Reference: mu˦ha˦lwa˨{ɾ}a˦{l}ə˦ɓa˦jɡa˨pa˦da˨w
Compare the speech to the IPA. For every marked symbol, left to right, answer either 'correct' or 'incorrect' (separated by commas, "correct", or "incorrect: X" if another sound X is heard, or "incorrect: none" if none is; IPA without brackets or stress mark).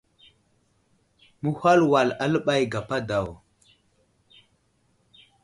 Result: incorrect: l, correct